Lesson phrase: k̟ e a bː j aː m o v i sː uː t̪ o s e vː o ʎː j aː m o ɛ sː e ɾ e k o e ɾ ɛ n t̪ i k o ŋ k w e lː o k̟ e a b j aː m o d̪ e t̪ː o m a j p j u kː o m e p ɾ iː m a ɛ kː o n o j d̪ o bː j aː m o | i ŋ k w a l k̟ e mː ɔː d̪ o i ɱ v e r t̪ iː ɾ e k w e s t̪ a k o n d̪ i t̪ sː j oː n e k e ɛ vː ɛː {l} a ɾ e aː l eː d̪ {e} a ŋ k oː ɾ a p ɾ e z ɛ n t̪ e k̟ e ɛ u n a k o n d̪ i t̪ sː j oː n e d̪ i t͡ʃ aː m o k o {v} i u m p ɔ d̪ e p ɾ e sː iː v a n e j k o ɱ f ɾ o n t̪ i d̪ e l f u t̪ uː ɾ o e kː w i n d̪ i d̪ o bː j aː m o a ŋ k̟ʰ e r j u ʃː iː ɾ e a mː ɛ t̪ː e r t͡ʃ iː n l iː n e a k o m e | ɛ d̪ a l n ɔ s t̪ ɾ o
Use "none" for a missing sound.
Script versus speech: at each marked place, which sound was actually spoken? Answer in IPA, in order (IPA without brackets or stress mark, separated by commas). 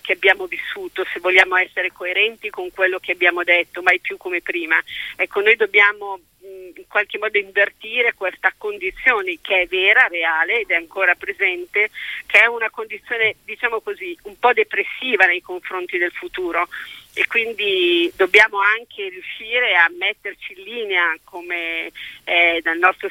ɾ, ɛ, z